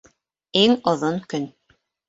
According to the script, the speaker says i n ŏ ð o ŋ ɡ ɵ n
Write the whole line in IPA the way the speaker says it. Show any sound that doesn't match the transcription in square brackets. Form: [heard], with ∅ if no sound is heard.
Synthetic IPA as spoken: i [ŋ] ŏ ð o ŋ [k] ɵ n